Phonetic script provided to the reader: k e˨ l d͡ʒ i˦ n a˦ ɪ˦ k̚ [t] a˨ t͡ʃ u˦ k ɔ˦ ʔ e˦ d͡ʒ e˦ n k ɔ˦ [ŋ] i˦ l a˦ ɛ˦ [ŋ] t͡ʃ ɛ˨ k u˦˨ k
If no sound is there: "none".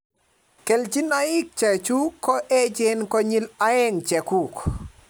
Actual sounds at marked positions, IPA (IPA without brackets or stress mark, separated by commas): t͡ʃ, ɲ, ŋ